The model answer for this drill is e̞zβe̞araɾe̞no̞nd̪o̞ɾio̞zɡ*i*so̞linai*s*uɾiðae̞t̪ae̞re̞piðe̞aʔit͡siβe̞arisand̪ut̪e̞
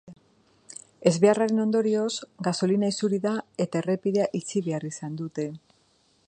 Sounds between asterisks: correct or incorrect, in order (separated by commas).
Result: incorrect, correct